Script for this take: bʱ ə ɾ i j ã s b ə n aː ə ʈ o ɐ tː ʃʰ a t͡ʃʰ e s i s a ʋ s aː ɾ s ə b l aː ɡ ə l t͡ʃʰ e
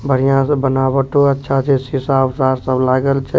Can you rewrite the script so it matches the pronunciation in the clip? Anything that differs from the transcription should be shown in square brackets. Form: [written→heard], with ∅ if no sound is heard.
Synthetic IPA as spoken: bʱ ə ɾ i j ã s b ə n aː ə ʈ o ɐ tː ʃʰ a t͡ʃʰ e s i s a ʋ s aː ɾ s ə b l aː ɡ ə l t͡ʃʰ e